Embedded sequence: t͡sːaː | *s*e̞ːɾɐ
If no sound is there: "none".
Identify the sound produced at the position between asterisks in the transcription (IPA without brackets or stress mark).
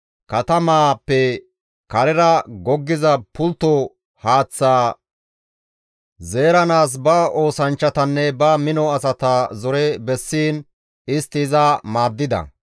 z